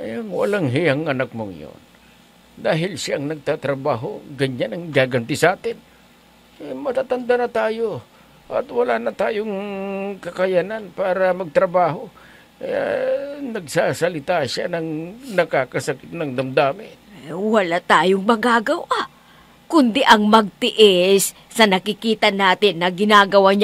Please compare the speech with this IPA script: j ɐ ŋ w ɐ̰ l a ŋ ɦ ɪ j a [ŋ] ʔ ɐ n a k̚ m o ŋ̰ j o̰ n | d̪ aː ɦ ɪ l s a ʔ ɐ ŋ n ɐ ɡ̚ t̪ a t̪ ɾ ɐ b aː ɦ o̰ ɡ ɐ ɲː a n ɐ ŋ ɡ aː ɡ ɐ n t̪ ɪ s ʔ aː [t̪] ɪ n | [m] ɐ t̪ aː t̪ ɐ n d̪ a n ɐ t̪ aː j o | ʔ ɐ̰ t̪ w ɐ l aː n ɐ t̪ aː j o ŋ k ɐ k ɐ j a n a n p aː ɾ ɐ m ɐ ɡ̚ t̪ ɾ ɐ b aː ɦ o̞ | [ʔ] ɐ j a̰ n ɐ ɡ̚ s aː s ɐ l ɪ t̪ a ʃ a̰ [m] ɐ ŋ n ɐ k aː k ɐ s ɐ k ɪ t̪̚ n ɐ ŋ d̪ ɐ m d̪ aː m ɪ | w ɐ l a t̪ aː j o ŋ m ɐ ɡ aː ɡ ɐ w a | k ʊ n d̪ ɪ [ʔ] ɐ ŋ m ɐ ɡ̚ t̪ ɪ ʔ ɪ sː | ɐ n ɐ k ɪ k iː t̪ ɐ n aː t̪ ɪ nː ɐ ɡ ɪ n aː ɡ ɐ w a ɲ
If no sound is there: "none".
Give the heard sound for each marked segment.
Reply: ŋ, t̪, m, k, n, ʔ

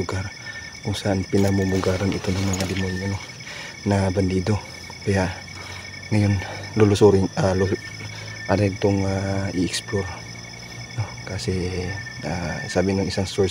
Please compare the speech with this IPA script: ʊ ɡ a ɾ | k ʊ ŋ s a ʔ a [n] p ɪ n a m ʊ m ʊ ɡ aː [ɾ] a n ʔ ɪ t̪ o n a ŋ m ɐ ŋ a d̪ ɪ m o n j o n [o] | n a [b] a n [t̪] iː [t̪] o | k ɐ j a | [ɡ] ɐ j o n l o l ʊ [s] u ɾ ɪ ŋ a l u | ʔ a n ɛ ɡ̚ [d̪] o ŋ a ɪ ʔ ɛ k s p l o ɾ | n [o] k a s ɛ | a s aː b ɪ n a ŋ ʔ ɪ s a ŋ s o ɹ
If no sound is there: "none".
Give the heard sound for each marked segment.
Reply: n, ɾ, o, b, d̪, d̪, ŋ, s, t̪, o

